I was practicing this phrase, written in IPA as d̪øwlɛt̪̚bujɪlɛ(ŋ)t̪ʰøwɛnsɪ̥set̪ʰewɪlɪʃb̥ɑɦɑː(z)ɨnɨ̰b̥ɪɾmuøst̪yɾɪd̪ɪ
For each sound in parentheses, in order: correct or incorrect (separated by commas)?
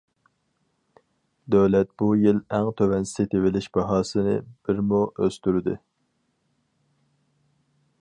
correct, incorrect